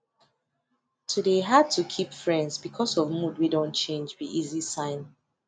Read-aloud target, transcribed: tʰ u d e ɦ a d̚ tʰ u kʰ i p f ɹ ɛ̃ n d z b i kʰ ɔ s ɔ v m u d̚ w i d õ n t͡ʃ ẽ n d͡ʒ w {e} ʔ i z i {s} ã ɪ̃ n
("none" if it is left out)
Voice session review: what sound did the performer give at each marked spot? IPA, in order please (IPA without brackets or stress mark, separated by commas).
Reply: i, s